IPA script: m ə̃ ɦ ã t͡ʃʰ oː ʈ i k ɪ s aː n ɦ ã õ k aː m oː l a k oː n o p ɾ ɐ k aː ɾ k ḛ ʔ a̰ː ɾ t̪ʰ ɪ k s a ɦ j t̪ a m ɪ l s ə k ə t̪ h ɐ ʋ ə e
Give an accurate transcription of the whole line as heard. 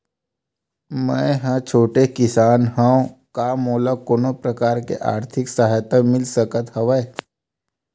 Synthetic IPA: m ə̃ ɦ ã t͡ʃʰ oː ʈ e k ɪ s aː n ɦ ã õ k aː m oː l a k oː n o p ɾ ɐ k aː ɾ k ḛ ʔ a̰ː ɾ t̪ʰ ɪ k s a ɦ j t̪ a m ɪ l s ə k ə t̪ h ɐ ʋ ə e

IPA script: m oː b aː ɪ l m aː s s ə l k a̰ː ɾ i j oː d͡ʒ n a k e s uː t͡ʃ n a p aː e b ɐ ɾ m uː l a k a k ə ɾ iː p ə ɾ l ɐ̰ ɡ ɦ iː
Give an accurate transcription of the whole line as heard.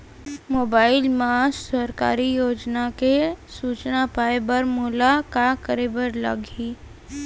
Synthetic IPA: m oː b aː ɪ l m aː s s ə ɾ k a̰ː ɾ i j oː d͡ʒ n a k e s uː t͡ʃ n a p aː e b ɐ ɾ m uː l a k a k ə ɾ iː b ə ɾ l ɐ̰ ɡ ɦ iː

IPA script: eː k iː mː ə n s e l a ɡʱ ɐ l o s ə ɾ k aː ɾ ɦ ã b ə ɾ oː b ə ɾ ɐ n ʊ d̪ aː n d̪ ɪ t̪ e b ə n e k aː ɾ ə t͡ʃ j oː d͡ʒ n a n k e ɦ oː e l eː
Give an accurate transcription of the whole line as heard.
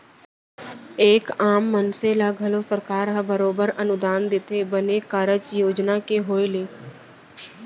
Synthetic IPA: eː k aː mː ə n s e l a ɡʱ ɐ l o s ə ɾ k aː ɾ ɦ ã b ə ɾ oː b ə ɾ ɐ n ʊ d̪ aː n d̪ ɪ t̪ e b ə n e k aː ɾ ə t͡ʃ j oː d͡ʒ n a k e ɦ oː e l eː

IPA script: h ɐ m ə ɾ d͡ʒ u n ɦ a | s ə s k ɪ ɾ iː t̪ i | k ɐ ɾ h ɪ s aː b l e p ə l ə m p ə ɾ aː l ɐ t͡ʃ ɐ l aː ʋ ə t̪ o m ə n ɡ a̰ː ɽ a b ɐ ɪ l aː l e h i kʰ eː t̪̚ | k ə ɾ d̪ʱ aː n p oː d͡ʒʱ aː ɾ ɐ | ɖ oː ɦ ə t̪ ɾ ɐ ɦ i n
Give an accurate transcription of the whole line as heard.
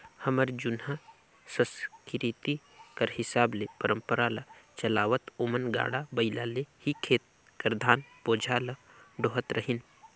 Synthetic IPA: h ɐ m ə ɾ d͡ʒ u n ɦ a | s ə s k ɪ ɾ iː t̪ i | k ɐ ɾ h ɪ s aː b l e p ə ɾ ə m p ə ɾ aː l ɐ t͡ʃ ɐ l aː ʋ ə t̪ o m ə n ɡ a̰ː ɽ a b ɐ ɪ l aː l e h i kʰ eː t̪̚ | k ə ɾ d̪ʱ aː n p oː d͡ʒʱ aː l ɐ | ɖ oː ɦ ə t̪ ɾ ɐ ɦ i n

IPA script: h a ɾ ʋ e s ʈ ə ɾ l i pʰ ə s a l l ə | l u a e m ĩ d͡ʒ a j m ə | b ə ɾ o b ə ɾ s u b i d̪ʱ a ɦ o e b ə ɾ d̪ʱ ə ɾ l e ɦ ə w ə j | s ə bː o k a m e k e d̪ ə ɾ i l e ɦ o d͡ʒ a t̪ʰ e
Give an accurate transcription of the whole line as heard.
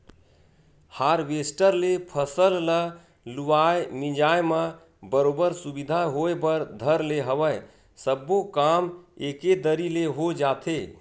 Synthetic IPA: h a ɾ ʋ e s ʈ ə ɾ l e pʰ ə s ə l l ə | l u a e m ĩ d͡ʒ a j m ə | b ə ɾ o b ə ɾ s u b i d̪ʱ a ɦ o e b ə ɾ d̪ʱ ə ɾ l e ɦ ə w ə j | s ə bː o k a m e k e d̪ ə ɾ i l e ɦ o d͡ʒ a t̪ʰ e

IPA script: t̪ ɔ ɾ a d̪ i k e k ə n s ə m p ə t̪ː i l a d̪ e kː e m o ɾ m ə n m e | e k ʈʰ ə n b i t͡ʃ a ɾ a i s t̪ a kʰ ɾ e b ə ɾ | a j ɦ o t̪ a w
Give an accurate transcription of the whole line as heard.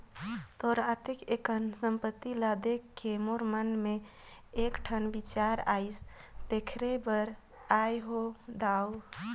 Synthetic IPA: t̪ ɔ ɾ a t̪ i k e k ə n s ə m p ə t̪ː i l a d̪ e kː e m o ɾ m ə n m e | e k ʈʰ ə n b i t͡ʃ a ɾ a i s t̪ e kʰ ɾ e b ə ɾ | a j ɦ o d̪ a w

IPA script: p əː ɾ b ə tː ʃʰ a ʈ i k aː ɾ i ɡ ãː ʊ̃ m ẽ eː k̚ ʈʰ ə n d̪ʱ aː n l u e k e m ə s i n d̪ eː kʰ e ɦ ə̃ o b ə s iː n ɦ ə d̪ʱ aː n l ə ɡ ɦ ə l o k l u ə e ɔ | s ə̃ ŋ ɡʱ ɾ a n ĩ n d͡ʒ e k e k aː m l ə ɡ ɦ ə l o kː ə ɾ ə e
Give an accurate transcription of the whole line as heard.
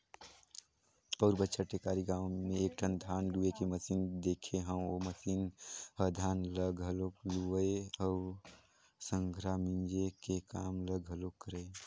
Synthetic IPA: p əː ɾ b ə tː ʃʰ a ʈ e k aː ɾ i ɡ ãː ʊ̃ m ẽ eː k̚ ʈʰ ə n d̪ʱ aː n l u e k e m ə s i n d̪ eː kʰ e ɦ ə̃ o m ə s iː n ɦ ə d̪ʱ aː n l ə ɡ ɦ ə l o k l u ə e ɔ | s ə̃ ŋ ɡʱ ɾ a m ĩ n d͡ʒ e k e k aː m l ə ɡ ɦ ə l o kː ə ɾ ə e

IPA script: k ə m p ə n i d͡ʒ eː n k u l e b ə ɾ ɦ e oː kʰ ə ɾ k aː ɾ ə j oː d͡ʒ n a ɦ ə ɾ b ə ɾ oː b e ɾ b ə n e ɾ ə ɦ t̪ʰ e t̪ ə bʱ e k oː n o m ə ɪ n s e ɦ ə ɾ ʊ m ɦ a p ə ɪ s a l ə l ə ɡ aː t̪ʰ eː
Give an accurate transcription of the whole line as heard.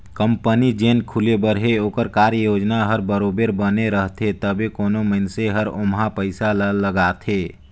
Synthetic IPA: k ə m p ə n i d͡ʒ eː n kʰ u l e b ə ɾ ɦ e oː k ə ɾ k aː ɾ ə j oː d͡ʒ n a ɦ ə ɾ b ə ɾ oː b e ɾ b ə n e ɾ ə ɦ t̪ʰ e t̪ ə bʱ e k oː n o m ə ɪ n s e ɦ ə ɾ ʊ m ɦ a p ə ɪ s a l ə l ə ɡ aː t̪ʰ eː

